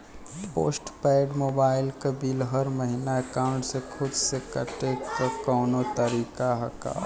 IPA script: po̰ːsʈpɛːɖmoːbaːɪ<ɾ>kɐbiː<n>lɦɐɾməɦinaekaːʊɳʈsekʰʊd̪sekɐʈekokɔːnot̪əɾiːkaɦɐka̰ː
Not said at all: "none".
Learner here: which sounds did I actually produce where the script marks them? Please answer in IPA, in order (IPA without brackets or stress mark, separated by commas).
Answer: l, none